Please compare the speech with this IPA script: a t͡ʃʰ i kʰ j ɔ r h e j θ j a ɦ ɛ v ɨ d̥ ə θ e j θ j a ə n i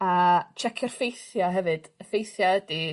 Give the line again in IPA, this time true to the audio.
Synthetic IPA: a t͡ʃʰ ɛ kʰ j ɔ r f e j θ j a ɦ ɛ v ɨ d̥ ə f e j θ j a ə d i